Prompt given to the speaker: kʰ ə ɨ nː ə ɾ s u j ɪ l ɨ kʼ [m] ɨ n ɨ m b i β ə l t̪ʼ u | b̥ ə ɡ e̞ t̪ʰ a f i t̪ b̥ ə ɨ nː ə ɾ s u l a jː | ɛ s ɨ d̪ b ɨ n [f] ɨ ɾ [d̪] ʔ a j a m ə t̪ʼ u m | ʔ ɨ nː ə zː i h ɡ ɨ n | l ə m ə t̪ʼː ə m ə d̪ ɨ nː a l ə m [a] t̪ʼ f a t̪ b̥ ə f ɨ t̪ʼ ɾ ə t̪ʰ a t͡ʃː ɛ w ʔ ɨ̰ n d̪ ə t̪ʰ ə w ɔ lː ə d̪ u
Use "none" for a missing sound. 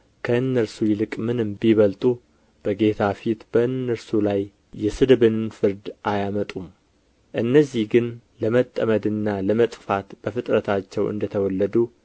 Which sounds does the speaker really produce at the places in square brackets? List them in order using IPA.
m, f, d̪, ə

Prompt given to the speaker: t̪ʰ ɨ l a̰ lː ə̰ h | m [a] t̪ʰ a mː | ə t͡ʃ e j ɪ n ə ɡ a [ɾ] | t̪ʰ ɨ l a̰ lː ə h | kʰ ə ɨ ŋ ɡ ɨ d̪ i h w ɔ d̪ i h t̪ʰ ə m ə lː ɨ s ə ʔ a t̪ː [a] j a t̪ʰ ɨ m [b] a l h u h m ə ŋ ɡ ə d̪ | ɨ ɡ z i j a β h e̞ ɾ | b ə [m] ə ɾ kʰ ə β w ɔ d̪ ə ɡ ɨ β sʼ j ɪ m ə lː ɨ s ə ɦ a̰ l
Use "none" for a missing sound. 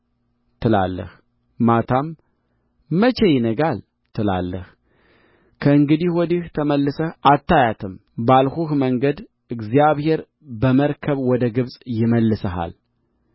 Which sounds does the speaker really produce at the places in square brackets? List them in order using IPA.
a, l, a, b, m

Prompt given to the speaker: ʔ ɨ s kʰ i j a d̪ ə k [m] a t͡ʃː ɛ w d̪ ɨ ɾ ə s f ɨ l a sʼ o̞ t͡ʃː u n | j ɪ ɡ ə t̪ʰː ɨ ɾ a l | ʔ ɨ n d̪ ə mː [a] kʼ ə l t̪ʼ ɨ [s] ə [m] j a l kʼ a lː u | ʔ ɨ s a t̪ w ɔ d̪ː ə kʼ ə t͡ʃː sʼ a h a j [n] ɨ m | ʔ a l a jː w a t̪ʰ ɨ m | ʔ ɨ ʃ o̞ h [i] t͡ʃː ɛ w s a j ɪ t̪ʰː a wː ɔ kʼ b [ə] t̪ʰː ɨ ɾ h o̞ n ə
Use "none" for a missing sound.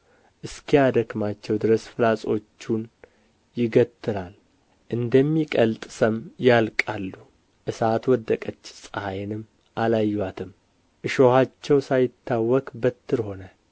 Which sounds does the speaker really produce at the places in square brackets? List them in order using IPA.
m, i, s, m, n, a, ə

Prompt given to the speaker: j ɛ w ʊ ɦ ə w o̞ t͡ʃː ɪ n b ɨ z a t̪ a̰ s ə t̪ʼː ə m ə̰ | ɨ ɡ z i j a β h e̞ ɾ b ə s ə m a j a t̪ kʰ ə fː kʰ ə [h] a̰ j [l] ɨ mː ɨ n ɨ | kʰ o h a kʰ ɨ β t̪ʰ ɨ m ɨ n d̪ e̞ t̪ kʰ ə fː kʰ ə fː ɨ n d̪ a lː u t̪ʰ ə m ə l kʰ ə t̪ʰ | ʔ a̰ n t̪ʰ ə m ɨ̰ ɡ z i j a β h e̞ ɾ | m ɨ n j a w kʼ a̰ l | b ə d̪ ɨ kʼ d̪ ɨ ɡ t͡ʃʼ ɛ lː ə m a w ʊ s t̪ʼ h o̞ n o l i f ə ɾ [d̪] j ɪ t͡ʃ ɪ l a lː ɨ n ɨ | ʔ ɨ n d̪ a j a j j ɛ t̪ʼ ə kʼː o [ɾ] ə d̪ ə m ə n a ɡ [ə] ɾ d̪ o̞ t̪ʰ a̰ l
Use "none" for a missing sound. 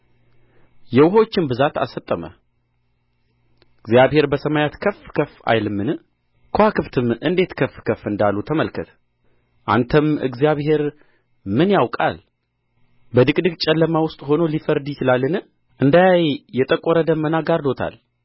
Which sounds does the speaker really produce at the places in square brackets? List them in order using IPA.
f, l, d̪, ɾ, a

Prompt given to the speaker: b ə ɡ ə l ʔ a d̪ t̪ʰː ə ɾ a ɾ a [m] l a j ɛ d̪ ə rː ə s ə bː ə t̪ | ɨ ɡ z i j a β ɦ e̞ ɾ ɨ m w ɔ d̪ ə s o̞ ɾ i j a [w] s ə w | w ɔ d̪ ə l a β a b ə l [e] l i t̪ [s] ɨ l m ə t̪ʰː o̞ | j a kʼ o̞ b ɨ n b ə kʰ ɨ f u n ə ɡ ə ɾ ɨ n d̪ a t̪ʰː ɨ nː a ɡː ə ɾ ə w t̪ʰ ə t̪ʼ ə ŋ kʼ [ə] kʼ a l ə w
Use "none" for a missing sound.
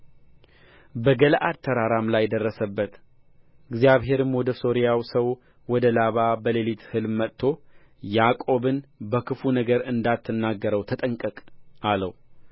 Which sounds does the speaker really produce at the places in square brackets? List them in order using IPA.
m, w, e, h, ə

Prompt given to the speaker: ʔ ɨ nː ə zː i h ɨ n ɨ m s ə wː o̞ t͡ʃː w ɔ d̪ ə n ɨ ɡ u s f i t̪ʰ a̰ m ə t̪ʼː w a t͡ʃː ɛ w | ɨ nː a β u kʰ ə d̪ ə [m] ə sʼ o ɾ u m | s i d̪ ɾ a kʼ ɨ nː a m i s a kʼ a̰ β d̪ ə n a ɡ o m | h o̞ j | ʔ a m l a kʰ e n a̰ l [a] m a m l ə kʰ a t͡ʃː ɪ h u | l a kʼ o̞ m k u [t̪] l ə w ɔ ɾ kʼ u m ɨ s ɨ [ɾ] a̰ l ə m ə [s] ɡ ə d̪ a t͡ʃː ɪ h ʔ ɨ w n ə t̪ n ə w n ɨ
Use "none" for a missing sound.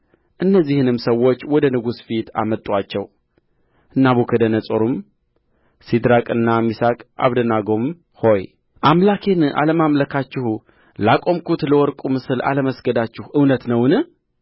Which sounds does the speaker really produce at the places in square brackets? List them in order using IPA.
n, ə, t̪, l, s

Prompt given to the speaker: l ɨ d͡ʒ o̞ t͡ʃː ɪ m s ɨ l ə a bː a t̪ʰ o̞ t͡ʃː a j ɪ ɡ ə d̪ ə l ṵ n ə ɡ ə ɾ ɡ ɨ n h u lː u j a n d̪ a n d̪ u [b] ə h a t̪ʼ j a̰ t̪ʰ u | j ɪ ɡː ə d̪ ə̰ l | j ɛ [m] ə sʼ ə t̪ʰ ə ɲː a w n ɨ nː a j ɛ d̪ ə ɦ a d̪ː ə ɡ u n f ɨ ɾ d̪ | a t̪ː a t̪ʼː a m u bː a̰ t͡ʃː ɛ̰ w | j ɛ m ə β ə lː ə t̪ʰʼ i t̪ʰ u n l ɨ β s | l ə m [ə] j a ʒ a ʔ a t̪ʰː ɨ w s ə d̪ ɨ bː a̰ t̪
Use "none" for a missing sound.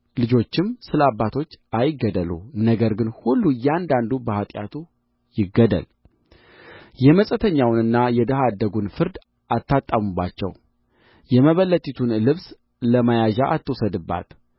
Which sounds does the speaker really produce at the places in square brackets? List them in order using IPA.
b, m, a

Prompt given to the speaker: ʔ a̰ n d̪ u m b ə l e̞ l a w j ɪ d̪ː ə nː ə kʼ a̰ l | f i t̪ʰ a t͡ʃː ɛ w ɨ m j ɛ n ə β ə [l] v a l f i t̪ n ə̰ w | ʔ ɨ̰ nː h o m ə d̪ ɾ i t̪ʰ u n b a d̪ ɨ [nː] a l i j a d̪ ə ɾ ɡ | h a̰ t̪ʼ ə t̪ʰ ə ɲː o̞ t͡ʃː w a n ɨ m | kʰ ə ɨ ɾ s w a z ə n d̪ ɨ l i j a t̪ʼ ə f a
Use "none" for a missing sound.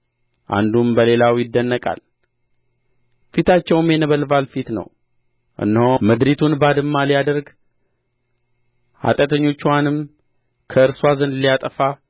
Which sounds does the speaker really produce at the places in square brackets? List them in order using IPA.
l, mː

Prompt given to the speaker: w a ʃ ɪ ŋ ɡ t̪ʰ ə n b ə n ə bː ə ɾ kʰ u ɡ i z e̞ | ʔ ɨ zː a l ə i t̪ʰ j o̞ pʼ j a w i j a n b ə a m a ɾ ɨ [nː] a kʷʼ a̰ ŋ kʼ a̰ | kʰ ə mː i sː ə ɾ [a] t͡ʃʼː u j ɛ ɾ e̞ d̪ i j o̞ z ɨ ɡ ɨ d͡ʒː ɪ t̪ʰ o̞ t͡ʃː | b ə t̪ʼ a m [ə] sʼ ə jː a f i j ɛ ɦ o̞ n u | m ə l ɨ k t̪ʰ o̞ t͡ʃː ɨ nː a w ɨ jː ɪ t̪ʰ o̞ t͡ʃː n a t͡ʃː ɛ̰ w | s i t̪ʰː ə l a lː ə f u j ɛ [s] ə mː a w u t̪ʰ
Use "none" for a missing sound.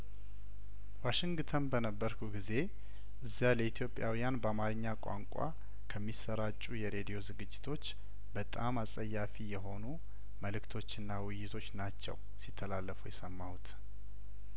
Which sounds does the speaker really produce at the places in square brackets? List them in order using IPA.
ɲː, a, a, s

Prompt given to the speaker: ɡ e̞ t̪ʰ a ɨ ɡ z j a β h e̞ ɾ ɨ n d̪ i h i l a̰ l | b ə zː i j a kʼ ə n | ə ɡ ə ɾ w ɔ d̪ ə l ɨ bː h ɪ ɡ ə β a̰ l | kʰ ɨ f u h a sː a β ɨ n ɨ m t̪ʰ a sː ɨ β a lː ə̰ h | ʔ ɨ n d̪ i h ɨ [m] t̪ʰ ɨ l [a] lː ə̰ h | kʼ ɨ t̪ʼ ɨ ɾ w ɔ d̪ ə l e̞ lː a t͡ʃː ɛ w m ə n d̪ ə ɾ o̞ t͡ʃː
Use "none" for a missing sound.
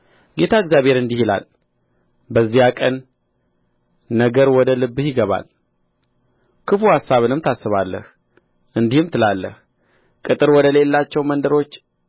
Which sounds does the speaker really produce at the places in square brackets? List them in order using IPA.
m, a

